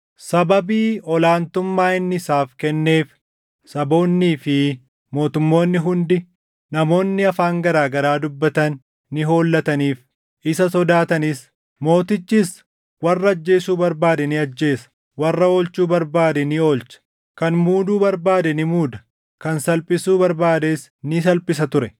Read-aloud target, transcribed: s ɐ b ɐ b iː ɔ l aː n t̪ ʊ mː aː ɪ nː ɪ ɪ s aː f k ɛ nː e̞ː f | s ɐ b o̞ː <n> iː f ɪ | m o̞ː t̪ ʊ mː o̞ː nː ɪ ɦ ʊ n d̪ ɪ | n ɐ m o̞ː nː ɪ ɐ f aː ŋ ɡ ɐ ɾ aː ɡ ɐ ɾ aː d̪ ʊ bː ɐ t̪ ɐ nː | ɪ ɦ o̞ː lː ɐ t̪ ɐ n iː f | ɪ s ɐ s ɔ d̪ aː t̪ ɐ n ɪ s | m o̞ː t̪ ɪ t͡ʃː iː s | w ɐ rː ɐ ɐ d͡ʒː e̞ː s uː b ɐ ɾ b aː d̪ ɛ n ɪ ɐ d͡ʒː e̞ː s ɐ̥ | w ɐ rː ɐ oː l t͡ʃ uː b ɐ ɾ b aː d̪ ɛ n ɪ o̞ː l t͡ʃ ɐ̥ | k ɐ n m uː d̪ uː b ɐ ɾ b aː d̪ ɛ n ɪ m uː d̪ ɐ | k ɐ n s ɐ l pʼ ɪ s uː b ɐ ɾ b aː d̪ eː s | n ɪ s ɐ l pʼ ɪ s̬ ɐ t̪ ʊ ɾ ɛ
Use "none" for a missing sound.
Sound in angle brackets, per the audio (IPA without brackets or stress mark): nː